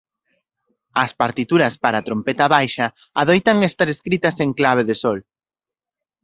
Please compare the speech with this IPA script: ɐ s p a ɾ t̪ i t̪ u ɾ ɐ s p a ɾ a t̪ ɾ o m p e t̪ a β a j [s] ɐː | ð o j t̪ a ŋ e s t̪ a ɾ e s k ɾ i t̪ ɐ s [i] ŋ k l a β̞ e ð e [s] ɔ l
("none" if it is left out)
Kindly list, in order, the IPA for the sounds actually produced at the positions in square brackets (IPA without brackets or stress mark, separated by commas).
ʃ, e, s